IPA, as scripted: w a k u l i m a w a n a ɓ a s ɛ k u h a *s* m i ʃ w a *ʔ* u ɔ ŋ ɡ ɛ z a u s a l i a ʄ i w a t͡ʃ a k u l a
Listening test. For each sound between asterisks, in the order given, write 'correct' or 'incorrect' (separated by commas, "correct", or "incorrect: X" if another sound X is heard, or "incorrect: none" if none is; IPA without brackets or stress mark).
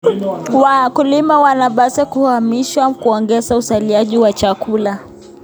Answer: incorrect: none, incorrect: k